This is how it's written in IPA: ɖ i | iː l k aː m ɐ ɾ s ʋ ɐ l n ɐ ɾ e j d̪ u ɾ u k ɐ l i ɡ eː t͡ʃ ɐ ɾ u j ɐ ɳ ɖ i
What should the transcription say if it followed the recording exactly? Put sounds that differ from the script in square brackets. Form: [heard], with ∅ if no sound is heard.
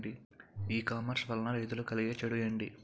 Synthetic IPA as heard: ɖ i | iː [∅] k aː m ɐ ɾ s ʋ ɐ l n ɐ ɾ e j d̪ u [l] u k ɐ l i ɡ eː t͡ʃ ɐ [ɽ] u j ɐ ɳ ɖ i